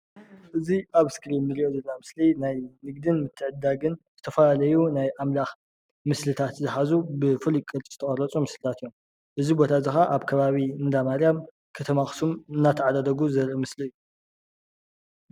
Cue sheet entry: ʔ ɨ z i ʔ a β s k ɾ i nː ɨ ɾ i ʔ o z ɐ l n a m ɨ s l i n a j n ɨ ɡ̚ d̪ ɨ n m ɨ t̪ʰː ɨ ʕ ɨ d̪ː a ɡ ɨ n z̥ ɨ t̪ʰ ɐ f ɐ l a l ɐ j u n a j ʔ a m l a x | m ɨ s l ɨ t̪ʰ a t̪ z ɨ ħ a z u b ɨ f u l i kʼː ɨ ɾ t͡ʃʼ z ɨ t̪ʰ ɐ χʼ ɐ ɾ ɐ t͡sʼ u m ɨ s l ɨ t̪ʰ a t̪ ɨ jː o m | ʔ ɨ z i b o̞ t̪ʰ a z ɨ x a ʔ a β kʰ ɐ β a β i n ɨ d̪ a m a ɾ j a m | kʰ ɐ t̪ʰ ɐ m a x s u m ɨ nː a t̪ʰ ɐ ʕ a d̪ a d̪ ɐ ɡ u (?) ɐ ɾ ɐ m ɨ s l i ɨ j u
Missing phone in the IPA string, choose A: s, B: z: B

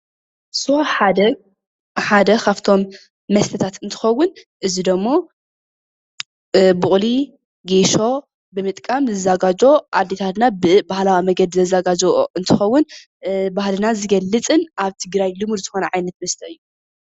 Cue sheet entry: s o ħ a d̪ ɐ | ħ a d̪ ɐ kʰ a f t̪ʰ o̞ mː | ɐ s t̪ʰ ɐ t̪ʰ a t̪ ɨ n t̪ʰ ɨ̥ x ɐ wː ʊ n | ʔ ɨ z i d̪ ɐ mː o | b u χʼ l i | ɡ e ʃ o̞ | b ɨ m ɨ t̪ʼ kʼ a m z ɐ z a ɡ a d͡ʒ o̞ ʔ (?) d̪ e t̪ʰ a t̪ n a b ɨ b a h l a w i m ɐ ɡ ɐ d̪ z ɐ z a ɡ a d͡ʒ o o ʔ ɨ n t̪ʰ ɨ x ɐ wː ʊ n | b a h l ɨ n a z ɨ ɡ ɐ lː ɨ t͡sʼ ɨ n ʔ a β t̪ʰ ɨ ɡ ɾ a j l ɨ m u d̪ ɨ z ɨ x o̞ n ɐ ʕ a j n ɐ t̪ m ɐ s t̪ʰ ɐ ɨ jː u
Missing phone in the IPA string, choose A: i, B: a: B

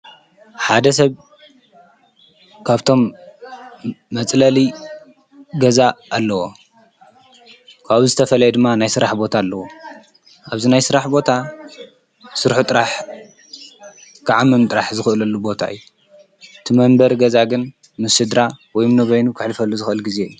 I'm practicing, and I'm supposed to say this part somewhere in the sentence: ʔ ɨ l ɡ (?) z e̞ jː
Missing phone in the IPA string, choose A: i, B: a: A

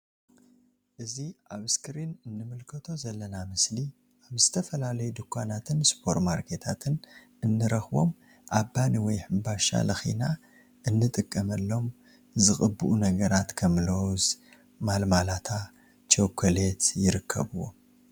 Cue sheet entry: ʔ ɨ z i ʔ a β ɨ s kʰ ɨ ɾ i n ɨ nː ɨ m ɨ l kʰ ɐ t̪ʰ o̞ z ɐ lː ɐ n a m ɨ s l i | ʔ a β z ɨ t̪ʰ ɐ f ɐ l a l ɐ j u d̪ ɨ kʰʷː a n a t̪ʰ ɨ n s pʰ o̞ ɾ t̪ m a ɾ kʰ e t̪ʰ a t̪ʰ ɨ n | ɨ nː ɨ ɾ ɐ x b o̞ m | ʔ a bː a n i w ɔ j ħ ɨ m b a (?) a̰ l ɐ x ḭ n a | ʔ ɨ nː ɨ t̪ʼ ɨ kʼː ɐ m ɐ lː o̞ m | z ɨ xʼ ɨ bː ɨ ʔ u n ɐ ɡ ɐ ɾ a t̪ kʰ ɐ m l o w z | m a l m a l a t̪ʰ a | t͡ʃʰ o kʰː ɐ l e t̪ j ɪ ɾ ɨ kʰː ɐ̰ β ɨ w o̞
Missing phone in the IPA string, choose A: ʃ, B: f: A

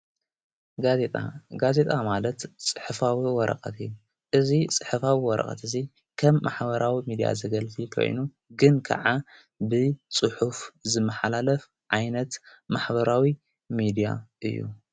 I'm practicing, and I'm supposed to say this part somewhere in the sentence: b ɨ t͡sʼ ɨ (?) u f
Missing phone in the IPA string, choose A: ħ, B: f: A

